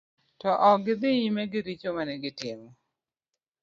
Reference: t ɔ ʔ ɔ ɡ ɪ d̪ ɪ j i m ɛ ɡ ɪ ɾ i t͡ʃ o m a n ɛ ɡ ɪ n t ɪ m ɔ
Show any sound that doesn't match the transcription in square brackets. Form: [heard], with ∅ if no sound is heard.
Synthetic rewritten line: t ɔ ʔ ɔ ɡ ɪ d̪ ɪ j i m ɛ ɡ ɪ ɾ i t͡ʃ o m a n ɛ ɡ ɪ [∅] t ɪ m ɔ

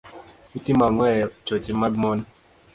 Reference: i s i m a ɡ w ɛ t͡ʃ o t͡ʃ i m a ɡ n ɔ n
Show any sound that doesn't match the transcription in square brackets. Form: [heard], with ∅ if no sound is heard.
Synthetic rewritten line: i [t] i m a [ŋ] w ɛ t͡ʃ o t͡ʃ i m a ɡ [m] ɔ n

